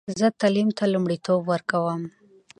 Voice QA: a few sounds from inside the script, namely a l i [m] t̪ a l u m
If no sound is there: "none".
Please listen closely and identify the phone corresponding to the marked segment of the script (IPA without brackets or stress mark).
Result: m